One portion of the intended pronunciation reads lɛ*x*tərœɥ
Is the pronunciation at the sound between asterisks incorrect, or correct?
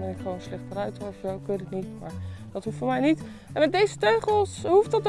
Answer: incorrect